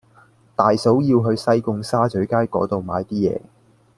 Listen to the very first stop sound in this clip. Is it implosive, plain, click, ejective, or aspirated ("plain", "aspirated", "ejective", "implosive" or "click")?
plain